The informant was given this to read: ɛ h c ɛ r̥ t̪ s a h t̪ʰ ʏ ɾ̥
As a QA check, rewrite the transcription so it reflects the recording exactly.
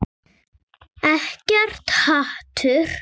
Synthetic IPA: ɛ h c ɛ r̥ t̪ h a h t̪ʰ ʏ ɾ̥